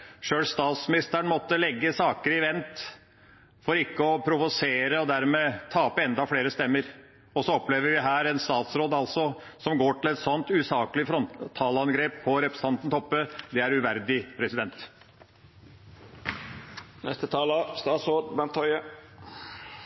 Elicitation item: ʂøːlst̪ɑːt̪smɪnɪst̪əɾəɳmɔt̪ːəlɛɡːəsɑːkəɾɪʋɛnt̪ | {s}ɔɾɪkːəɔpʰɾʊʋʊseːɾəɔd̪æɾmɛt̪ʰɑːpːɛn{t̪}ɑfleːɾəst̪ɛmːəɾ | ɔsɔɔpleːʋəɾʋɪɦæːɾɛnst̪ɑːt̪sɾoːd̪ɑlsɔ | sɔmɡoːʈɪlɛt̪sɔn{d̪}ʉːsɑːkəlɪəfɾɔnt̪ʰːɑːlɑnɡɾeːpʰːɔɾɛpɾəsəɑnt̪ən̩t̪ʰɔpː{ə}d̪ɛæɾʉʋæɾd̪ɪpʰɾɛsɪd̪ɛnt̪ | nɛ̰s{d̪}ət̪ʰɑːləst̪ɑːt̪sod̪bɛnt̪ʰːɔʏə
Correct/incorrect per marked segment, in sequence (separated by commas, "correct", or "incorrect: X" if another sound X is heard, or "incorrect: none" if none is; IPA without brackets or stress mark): incorrect: f, incorrect: d̪, incorrect: t̪, correct, incorrect: t̪